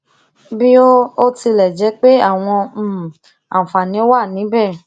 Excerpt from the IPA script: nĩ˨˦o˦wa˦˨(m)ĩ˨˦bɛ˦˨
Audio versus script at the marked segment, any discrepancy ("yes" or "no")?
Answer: yes